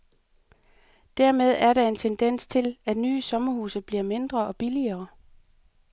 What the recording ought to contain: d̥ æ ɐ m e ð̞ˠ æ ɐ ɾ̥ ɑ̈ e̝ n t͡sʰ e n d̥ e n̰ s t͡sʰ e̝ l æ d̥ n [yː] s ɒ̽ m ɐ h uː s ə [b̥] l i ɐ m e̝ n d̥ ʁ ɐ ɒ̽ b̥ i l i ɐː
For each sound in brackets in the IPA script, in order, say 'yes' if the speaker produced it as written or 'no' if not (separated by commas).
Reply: yes, yes